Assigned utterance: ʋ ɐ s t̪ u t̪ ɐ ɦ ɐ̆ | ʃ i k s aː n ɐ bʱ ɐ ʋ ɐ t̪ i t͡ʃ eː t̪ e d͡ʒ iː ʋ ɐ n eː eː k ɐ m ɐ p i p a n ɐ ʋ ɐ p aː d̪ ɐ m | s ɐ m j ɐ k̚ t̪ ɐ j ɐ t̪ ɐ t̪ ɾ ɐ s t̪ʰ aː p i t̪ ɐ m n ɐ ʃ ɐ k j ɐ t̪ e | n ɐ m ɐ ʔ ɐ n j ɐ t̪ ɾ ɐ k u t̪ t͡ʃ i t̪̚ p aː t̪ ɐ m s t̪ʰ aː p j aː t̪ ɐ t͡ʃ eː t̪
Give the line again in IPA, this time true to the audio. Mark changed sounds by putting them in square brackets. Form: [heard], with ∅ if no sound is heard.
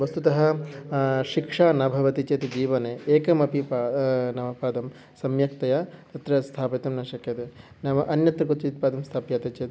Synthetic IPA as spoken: ʋ ɐ s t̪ u t̪ ɐ ɦ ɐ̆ | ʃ i k [ʂ] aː n ɐ bʱ ɐ ʋ ɐ t̪ i t͡ʃ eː t̪ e d͡ʒ iː ʋ ɐ n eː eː k ɐ m ɐ p i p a n ɐ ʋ ɐ p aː d̪ ɐ m | s ɐ m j ɐ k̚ t̪ ɐ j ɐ t̪ ɐ t̪ ɾ ɐ s t̪ʰ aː p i t̪ ɐ m n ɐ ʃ ɐ k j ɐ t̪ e | n ɐ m ɐ ʔ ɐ n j ɐ t̪ ɾ ɐ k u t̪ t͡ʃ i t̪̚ p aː [d̪] ɐ m s t̪ʰ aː p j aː t̪ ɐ t͡ʃ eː t̪